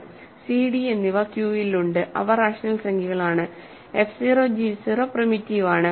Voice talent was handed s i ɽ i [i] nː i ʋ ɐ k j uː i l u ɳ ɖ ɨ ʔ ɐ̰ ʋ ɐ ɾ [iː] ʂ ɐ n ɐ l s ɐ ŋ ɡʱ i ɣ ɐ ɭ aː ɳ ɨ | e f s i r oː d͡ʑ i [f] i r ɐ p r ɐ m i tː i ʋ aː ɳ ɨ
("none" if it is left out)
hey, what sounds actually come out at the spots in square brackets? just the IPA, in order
e, aː, s

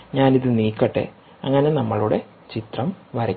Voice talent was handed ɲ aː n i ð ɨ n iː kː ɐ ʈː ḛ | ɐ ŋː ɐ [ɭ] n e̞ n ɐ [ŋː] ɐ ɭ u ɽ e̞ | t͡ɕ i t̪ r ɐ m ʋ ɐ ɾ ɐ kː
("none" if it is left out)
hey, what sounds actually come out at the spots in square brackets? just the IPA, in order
none, mː

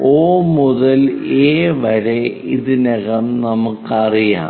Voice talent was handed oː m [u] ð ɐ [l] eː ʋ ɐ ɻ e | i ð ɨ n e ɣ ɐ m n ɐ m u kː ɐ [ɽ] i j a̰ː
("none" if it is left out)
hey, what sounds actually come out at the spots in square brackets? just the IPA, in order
u, l, r

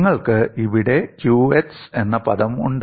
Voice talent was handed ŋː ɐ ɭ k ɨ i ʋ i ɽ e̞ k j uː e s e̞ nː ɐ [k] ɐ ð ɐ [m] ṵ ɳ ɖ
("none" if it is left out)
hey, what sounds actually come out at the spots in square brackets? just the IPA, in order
p, m

